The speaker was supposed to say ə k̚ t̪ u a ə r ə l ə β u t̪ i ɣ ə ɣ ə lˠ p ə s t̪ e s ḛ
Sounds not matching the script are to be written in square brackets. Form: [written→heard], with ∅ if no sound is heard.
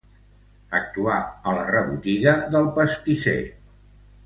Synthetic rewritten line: ə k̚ t̪ u a ə [r→l] ə [l→r] ə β u t̪ i ɣ ə [ɣ→ð] ə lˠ p ə s t̪ [e→i] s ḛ